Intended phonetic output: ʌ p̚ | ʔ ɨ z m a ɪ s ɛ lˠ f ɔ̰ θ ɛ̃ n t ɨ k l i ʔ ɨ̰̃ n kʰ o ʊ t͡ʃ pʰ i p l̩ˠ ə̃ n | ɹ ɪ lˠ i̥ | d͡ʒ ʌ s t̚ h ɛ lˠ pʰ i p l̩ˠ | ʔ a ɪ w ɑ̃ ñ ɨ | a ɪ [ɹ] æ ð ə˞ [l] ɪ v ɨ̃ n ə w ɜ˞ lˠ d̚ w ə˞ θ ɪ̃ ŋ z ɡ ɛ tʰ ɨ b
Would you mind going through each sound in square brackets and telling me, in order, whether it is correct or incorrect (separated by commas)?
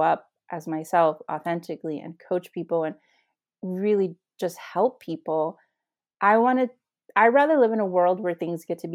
correct, correct